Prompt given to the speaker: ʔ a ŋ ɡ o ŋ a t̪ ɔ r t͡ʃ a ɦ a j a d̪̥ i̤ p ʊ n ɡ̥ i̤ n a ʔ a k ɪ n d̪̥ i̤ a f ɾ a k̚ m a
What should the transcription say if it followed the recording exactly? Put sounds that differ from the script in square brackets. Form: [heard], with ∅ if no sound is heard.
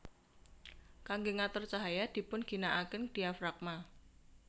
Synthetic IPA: [k] a ŋ ɡ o ŋ a t̪ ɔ r t͡ʃ a ɦ a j a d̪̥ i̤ p ʊ n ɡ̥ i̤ n a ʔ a k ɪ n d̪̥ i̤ a f ɾ a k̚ m a